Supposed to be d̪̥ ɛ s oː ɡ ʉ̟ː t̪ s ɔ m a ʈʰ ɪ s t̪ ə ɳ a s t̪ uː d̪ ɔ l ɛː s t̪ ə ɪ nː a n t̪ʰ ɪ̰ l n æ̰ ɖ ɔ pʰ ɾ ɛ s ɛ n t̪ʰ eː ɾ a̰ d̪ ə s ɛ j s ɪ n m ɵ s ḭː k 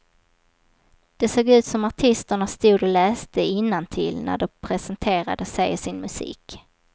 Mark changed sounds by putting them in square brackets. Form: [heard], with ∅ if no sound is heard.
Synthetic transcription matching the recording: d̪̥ ɛ s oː ɡ ʉ̟ː t̪ s ɔ m a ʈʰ ɪ s t̪ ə ɳ a s t̪ uː d̪ ɔ l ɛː s t̪ ə ɪ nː a n t̪ʰ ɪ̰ l n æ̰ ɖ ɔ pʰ ɾ ɛ s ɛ n t̪ʰ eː ɾ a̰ d̪ ə s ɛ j s ɪ n m ɵ s ḭː k